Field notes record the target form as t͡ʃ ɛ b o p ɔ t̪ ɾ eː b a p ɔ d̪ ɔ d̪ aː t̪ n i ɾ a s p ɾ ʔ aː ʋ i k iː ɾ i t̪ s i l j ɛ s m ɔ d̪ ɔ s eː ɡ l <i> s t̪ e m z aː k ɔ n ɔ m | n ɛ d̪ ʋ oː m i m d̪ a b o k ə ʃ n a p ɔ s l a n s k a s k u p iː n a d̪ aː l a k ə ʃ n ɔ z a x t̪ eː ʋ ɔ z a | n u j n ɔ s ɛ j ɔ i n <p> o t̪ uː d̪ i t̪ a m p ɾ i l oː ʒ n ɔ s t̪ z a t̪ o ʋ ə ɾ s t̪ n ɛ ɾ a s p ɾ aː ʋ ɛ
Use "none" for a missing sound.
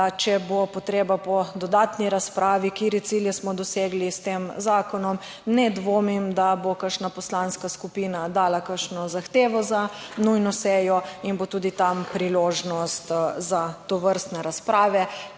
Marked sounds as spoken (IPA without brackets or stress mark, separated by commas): i, b